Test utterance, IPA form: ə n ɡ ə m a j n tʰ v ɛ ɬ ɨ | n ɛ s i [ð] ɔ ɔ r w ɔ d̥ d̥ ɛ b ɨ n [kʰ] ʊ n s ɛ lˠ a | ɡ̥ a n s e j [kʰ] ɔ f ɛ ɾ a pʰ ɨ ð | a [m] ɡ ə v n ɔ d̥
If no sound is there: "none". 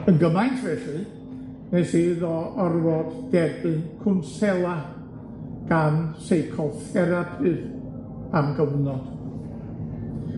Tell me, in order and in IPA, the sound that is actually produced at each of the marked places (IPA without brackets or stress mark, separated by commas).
ð, kʰ, kʰ, m